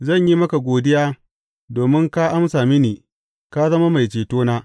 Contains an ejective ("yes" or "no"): no